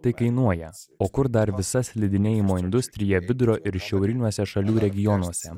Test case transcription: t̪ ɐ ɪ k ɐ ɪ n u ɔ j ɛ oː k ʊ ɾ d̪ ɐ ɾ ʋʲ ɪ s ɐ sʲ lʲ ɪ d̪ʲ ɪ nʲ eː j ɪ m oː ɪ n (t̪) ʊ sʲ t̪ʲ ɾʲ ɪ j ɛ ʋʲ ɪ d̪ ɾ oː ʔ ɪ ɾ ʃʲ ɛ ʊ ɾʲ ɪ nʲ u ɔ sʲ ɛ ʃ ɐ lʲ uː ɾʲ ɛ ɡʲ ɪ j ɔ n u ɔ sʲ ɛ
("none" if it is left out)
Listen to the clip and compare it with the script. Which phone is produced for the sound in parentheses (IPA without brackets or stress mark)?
d̪